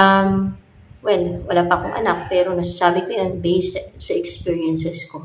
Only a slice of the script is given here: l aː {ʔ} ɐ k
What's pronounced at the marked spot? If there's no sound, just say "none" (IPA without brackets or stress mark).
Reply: p